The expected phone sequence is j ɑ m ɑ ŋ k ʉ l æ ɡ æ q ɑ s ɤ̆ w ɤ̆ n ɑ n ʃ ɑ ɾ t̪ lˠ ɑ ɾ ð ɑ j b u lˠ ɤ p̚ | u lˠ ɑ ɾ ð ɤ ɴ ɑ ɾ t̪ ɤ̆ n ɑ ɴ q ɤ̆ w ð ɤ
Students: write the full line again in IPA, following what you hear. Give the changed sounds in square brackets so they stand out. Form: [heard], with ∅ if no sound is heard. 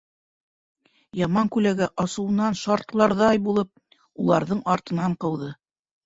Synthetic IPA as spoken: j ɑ m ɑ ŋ k ʉ l æ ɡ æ [ʔ] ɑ s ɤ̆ w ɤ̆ n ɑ n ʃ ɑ ɾ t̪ lˠ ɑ ɾ ð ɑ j b u lˠ ɤ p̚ | u lˠ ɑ ɾ ð ɤ ɴ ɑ ɾ t̪ ɤ̆ n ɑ ɴ q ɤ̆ w ð ɤ